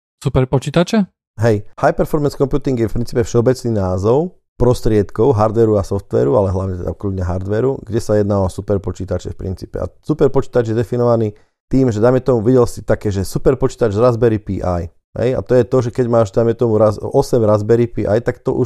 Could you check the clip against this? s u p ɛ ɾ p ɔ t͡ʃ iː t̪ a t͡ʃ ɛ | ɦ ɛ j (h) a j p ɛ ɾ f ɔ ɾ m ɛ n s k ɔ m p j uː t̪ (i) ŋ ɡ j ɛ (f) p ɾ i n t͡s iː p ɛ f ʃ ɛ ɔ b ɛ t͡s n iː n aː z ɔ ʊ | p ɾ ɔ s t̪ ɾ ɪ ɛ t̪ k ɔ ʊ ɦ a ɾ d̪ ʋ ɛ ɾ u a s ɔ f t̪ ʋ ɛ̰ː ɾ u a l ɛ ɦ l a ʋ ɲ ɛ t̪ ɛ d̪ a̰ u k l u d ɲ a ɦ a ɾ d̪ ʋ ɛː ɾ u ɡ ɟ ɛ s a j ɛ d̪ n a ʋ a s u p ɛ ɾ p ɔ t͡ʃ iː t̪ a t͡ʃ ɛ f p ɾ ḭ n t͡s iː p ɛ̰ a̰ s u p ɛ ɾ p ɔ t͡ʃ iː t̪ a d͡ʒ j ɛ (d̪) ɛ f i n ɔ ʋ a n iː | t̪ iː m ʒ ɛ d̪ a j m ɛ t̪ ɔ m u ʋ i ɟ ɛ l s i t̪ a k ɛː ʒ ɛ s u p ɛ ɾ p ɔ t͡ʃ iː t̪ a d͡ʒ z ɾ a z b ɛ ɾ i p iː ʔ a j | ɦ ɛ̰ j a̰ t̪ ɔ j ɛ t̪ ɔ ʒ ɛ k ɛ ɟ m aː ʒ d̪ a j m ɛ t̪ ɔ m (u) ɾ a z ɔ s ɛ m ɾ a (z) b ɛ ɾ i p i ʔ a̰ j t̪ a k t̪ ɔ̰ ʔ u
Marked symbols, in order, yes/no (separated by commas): yes, yes, yes, yes, yes, yes